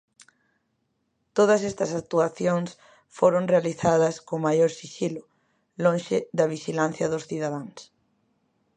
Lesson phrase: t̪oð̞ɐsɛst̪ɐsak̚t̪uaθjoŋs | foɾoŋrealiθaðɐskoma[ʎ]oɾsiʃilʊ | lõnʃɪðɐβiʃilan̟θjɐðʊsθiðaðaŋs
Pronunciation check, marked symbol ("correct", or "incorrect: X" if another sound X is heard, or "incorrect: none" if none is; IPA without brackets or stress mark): incorrect: j